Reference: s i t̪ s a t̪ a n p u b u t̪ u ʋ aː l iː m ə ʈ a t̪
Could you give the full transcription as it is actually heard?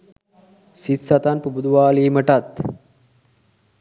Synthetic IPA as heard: s i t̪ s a t̪ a n p u b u d̪ u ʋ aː l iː m ə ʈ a t̪